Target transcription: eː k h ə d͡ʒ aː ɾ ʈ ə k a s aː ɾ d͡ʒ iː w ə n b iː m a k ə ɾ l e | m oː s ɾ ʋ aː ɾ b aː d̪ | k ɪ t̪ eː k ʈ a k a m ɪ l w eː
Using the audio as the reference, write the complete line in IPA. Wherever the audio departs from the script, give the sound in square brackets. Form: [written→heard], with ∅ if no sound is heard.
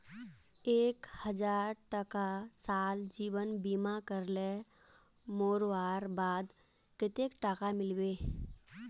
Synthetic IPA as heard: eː k h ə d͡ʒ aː ɾ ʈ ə k a s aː [ɾ→l] d͡ʒ iː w ə n b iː m a k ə ɾ l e | m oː [s→∅] ɾ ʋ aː ɾ b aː d̪ | k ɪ t̪ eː k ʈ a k a m ɪ l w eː